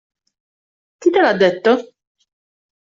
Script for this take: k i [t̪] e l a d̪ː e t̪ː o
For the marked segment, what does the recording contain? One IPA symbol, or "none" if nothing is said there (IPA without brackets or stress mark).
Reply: t̪